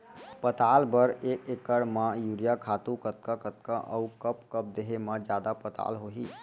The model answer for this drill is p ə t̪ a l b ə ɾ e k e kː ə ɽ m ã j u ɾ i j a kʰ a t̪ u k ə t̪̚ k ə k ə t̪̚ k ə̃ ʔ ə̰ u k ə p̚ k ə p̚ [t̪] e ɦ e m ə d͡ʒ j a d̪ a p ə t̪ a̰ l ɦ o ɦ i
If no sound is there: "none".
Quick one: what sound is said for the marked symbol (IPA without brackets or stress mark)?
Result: d̪